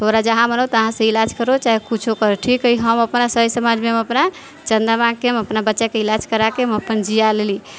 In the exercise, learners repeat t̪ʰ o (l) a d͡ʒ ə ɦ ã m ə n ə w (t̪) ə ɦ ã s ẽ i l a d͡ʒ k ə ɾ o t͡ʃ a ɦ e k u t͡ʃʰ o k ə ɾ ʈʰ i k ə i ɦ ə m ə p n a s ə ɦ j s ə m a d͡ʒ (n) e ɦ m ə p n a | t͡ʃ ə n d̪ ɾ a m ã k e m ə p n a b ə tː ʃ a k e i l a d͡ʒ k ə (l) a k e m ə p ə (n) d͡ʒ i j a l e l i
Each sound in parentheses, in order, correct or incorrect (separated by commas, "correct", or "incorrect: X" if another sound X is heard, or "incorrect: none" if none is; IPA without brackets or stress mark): incorrect: ɾ, correct, incorrect: m, incorrect: ɾ, correct